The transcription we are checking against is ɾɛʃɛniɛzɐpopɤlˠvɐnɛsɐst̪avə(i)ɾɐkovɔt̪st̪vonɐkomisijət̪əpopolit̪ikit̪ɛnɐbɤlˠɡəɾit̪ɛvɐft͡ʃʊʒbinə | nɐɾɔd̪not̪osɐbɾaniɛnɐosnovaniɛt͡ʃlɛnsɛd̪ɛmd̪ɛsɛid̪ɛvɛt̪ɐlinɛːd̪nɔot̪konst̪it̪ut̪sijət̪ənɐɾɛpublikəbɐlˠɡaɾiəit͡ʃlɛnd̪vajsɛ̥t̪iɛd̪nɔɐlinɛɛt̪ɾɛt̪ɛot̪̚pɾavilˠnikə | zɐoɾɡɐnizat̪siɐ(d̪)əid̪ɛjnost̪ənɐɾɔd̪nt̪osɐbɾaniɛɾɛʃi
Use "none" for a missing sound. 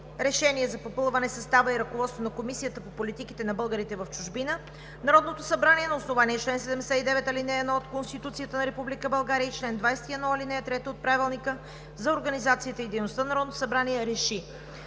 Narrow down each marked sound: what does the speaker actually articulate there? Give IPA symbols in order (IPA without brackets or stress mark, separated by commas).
i, t̪